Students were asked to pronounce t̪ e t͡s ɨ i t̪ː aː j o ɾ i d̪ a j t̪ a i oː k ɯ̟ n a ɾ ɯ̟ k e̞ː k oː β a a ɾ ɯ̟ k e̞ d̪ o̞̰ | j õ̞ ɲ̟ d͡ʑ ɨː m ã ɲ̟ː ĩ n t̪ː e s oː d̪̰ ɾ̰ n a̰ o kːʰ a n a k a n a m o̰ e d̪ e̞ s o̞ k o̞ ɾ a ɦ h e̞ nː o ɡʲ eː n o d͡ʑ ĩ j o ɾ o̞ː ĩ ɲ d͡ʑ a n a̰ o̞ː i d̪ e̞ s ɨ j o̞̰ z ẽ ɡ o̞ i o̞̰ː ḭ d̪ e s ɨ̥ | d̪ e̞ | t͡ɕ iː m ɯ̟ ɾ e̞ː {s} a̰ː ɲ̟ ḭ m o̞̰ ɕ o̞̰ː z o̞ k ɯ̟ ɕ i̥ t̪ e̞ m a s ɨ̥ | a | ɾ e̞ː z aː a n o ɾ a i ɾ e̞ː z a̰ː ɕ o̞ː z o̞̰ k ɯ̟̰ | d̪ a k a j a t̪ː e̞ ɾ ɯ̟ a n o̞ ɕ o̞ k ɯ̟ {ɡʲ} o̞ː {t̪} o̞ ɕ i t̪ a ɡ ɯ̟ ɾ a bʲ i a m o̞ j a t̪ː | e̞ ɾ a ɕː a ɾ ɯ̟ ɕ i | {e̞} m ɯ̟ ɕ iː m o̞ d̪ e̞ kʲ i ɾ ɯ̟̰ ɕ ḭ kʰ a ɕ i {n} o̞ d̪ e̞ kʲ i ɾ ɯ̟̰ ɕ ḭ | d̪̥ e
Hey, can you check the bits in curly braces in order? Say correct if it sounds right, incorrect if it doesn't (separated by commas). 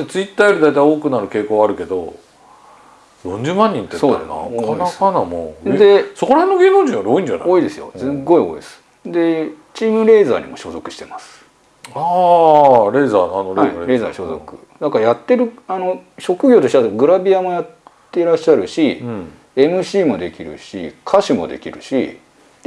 incorrect, correct, correct, correct, incorrect